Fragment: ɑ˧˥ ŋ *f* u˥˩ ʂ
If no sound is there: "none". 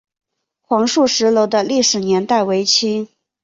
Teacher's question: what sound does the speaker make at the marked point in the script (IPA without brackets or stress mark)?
ʂ